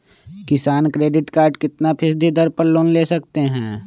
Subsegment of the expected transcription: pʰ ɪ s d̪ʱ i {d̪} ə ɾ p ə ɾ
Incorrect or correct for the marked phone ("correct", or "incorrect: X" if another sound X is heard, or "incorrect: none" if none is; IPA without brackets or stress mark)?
correct